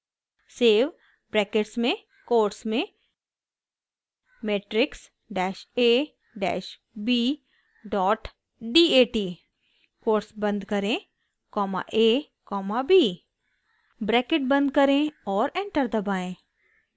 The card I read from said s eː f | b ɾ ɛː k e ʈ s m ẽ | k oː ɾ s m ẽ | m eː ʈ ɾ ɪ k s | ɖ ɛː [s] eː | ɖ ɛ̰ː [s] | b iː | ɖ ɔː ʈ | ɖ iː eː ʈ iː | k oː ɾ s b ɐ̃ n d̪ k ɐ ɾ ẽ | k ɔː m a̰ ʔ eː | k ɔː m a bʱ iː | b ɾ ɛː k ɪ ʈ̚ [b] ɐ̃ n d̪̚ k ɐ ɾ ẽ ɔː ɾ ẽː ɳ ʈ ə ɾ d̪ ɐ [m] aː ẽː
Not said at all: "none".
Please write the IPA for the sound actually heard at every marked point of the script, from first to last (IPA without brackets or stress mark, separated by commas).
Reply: ʃ, ʃ, b, b